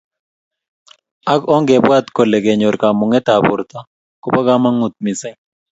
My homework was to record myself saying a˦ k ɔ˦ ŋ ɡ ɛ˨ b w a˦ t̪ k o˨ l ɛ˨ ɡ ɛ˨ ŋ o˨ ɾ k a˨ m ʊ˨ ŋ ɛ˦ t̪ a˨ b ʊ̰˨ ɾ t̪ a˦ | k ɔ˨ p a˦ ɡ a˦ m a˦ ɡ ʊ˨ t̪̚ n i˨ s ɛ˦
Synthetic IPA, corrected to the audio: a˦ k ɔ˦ ŋ ɡ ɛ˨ b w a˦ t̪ k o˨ l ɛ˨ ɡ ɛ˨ ɲ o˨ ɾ k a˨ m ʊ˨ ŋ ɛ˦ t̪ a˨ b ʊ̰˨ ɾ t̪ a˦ | k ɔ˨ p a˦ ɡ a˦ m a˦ ŋ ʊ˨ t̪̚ m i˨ s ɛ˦